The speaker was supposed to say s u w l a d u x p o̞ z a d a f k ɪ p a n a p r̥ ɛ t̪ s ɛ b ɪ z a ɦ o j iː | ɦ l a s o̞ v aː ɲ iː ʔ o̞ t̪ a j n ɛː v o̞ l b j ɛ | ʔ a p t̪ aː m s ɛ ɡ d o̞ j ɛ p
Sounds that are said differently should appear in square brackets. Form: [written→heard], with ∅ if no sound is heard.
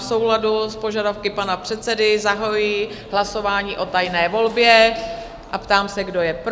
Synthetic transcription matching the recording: s [u→o] w l a d u [x→s] p o̞ [z→ʒ] a d a f k ɪ p a n a p r̥ ɛ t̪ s ɛ [b→d] ɪ z a ɦ o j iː | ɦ l a s o̞ v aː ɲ iː ʔ o̞ t̪ a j n ɛː v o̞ l b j ɛ | ʔ a p t̪ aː m s ɛ ɡ d o̞ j ɛ p